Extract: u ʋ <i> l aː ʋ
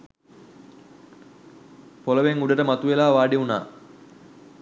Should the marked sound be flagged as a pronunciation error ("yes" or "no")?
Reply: yes